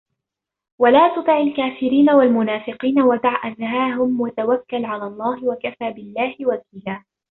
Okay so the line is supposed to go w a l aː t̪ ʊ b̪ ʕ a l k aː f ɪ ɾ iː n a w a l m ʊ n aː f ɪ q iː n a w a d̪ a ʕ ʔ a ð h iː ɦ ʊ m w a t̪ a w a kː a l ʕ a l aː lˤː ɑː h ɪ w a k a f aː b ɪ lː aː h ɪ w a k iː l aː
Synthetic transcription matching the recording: w a l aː t̪ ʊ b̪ ʕ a l k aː f ɪ ɾ iː n a w a l m ʊ n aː f ɪ q iː n a w a d̪ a ʕ ʔ a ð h aː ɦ ʊ m w a t̪ a w a kː a l ʕ a l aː lˤː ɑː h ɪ w a k a f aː b ɪ lː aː h ɪ w a k iː l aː